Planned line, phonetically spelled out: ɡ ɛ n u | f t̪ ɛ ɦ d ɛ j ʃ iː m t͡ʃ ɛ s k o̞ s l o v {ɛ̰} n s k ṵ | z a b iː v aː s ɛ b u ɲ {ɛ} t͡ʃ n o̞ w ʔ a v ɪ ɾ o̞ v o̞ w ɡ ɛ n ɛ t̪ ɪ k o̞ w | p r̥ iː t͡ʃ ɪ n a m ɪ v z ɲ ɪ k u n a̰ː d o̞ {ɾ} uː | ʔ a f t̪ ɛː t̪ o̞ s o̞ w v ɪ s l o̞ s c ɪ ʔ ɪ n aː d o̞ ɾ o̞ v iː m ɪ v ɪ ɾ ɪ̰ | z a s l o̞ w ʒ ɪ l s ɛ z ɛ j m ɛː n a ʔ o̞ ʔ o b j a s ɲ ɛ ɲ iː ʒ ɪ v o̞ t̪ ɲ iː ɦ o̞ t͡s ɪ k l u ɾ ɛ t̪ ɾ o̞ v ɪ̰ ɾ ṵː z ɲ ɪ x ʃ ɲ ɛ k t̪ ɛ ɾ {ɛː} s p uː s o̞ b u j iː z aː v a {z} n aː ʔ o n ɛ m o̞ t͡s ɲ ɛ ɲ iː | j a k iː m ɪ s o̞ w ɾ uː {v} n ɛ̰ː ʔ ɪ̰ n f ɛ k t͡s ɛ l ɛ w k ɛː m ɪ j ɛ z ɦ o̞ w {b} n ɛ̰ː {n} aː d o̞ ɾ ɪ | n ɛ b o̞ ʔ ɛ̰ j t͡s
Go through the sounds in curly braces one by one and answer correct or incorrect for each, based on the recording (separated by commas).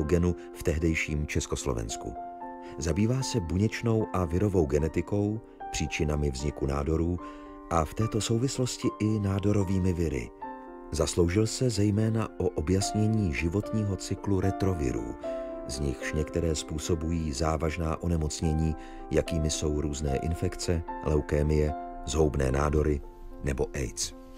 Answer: correct, correct, correct, correct, incorrect, incorrect, correct, correct